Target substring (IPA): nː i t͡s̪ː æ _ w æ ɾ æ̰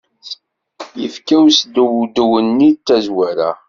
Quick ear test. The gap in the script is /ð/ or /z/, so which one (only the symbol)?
z